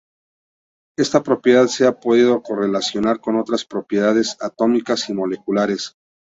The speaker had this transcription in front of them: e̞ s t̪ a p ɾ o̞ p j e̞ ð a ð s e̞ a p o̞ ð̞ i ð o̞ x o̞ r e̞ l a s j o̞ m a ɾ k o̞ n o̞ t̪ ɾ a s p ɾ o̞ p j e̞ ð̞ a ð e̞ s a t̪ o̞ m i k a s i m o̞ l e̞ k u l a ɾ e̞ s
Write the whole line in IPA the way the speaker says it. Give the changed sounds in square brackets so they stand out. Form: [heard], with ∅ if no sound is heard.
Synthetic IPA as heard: e̞ s t̪ a p ɾ o̞ p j e̞ ð a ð s e̞ a p o̞ ð̞ i ð o̞ [k] o̞ r e̞ l a s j o̞ [n] a ɾ k o̞ n o̞ t̪ ɾ a s p ɾ o̞ p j e̞ ð̞ a ð e̞ s a t̪ o̞ m i k a s i m o̞ l e̞ k u l a ɾ e̞ s